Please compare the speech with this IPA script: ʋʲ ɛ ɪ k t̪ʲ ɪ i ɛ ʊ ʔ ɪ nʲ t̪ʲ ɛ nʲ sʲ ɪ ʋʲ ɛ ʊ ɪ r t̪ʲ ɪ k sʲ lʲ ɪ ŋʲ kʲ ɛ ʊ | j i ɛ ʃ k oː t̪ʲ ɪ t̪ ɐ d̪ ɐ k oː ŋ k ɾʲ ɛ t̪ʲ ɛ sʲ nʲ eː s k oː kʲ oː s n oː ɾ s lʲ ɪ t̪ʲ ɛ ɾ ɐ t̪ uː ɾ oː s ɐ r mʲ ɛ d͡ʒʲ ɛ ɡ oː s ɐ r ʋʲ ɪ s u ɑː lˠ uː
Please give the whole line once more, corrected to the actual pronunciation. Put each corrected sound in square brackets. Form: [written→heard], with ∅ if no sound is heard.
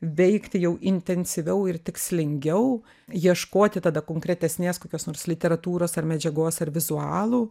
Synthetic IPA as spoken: ʋʲ ɛ ɪ k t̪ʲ ɪ [i→j] ɛ ʊ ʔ ɪ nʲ t̪ʲ ɛ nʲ sʲ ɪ ʋʲ ɛ ʊ ɪ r t̪ʲ ɪ k sʲ lʲ ɪ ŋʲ [kʲ→ɡʲ] ɛ ʊ | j i ɛ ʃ k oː t̪ʲ ɪ t̪ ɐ d̪ ɐ k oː ŋ k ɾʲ ɛ t̪ʲ ɛ sʲ nʲ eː s k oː kʲ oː s n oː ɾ s lʲ ɪ t̪ʲ ɛ ɾ ɐ t̪ uː ɾ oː s ɐ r mʲ ɛ d͡ʒʲ ɛ ɡ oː s ɐ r ʋʲ ɪ [s→z] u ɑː lˠ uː